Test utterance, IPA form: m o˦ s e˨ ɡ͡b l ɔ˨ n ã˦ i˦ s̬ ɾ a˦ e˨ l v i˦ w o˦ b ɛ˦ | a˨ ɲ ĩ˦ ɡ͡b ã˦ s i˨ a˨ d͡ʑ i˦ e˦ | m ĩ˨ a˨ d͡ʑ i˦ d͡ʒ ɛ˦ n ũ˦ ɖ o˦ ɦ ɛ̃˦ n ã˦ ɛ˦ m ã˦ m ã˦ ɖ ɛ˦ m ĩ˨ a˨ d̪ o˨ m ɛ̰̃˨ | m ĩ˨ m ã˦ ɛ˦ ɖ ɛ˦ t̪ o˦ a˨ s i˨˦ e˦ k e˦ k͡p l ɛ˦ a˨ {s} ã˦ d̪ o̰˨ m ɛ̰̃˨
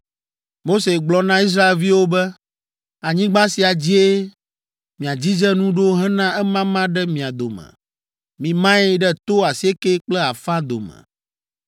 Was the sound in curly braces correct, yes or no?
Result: no